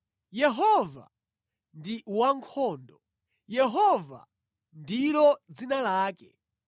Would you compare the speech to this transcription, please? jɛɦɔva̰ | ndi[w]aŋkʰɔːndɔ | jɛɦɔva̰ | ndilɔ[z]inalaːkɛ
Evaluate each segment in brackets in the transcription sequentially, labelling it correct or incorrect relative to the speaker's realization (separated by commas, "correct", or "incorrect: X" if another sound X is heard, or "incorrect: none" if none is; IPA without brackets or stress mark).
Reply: correct, incorrect: d͡z